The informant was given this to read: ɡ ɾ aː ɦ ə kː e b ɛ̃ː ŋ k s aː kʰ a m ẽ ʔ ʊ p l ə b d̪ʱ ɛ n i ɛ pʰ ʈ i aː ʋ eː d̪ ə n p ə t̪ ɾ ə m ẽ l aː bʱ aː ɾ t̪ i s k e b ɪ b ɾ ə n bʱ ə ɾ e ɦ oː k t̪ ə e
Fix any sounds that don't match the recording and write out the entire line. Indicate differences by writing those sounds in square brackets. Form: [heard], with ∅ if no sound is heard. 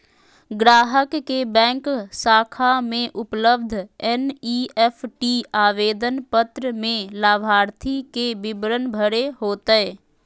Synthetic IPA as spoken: ɡ ɾ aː ɦ ə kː e b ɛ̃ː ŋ k s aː kʰ a m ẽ ʔ ʊ p l ə b d̪ʱ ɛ n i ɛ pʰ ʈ i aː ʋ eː d̪ ə n p ə t̪ ɾ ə m ẽ l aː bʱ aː ɾ [t̪ʰ] i [∅] k e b ɪ b ɾ ə n bʱ ə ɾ e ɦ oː [∅] t̪ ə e